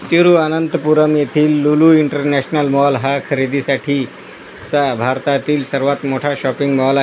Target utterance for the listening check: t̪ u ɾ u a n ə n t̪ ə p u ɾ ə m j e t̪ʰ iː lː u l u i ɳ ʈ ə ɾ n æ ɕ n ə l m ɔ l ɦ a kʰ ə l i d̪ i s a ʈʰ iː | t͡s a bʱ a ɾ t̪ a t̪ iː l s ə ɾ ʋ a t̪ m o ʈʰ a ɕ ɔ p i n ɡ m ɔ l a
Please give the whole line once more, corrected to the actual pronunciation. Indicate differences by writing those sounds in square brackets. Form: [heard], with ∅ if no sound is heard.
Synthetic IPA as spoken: t̪ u ɾ u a n ə n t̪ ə p u ɾ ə m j e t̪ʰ iː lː u l u i ɳ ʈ ə ɾ n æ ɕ n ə l m ɔ l ɦ a kʰ ə [ɾ] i d̪ i s a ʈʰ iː | t͡s a bʱ a ɾ t̪ a t̪ iː l s ə ɾ ʋ a t̪ m o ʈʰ a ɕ ɔ p i [ŋ] ɡ m ɔ l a